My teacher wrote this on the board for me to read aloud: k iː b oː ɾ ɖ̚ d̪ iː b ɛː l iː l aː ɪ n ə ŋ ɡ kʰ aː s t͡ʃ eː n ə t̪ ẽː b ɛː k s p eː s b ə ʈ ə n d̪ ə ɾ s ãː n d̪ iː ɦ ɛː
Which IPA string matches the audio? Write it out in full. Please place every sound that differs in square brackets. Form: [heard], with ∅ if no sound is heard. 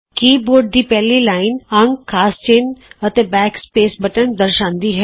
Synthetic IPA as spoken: k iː b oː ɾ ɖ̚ d̪ iː [p] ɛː l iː l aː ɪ n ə ŋ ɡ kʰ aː s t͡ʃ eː n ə t̪ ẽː b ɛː k s p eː s b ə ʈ ə n d̪ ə ɾ [ʃ] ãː n d̪ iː ɦ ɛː